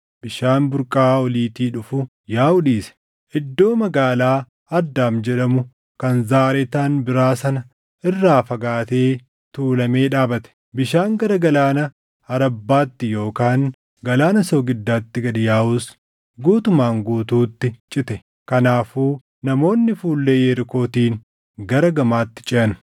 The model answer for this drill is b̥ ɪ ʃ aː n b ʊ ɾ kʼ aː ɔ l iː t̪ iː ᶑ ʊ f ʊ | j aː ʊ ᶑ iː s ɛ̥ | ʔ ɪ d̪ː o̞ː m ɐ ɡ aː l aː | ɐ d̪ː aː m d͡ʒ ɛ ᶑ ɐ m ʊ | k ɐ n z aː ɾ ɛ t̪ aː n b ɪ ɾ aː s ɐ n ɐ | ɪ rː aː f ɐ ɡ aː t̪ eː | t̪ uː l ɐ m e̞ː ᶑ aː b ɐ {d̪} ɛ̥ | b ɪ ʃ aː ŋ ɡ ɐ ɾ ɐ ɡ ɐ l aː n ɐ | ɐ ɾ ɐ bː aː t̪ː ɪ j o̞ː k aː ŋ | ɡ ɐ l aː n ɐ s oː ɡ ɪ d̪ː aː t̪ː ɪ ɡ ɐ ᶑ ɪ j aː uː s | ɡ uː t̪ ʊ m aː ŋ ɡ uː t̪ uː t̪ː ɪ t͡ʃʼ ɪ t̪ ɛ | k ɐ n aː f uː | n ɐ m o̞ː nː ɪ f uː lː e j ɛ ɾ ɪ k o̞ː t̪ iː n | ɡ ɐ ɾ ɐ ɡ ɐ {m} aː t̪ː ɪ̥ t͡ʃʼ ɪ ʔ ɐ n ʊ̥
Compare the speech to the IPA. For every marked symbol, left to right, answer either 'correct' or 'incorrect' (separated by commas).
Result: incorrect, correct